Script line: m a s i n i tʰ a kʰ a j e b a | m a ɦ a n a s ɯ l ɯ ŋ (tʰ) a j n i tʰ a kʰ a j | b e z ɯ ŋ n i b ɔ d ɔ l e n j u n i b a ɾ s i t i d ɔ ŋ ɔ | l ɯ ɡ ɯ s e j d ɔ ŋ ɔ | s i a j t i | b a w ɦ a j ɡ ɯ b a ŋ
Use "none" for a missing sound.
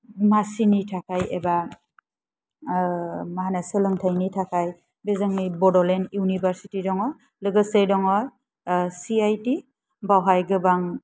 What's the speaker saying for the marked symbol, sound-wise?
tʰ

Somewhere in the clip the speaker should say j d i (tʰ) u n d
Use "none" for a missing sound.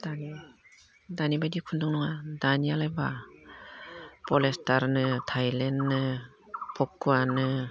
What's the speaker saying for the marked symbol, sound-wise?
kʰ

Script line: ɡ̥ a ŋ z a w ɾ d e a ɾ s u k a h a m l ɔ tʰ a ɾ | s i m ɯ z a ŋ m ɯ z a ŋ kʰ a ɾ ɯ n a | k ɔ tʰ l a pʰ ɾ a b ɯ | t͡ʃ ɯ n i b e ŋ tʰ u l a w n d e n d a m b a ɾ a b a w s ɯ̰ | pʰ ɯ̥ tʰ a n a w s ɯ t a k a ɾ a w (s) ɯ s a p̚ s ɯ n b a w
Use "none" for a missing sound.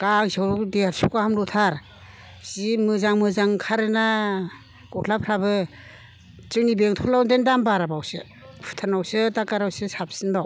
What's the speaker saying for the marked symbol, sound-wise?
s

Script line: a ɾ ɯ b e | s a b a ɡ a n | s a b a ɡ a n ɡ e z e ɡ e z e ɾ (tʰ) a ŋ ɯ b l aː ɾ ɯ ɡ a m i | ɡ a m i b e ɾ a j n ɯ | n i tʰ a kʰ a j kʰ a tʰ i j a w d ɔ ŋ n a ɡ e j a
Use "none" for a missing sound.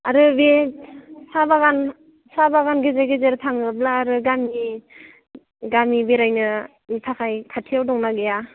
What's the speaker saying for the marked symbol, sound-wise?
tʰ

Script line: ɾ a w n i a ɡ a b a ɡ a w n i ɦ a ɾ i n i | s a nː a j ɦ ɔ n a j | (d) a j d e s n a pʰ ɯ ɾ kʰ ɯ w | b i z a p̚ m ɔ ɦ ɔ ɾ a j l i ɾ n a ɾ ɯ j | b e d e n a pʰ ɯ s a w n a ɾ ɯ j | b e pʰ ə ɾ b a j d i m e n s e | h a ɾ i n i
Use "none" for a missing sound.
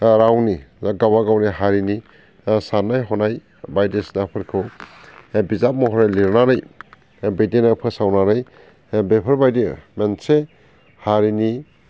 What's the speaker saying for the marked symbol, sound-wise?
b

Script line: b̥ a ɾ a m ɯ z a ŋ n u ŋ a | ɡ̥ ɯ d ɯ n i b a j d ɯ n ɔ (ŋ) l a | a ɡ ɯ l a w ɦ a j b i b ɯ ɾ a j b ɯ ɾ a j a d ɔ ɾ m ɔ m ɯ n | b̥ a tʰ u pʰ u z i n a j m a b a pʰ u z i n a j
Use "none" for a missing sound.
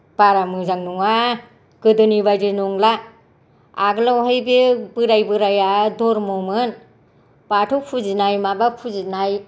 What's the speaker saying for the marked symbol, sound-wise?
ŋ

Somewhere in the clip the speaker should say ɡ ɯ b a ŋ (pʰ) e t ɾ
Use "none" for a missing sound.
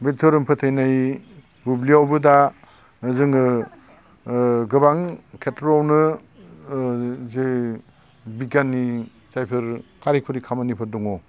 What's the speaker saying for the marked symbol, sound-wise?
kʰ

